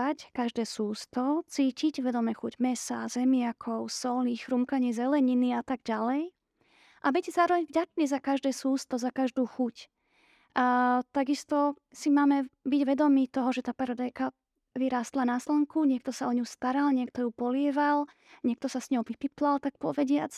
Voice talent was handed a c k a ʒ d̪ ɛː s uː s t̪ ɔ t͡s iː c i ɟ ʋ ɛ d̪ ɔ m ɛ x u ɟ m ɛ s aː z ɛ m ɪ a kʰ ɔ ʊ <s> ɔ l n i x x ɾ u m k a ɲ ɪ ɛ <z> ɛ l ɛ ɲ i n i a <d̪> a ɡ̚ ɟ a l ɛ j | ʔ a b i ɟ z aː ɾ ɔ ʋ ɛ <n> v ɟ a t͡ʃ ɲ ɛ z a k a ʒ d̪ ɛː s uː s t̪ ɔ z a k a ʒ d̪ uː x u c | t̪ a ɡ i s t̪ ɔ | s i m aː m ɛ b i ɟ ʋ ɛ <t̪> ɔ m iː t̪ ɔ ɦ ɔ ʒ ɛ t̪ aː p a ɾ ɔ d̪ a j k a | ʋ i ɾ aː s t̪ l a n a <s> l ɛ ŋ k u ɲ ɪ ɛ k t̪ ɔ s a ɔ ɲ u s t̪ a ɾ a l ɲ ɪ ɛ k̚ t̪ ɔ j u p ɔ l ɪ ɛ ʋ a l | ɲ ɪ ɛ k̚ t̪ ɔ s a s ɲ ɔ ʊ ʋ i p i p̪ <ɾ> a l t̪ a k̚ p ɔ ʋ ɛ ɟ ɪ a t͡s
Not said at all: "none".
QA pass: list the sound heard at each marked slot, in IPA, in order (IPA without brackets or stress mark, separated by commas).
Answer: s, z, t̪, ɲ, d̪, s, l